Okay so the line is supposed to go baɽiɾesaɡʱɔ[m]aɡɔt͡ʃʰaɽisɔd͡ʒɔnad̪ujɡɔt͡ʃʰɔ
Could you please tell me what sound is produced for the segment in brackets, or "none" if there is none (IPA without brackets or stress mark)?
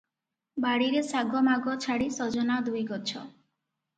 m